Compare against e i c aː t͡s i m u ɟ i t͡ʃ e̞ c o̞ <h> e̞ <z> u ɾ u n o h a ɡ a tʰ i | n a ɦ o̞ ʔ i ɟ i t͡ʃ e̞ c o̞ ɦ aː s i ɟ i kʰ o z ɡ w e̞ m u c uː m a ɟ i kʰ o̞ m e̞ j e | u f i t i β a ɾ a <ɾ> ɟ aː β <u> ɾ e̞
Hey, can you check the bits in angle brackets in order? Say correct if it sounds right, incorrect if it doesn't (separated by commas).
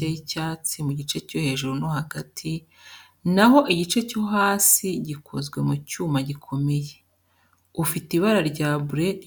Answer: correct, incorrect, correct, correct